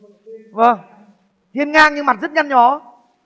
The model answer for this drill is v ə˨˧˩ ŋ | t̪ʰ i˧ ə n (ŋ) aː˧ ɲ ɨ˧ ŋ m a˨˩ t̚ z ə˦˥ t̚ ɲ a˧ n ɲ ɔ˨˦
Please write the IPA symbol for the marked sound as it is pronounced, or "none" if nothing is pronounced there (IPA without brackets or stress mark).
ŋ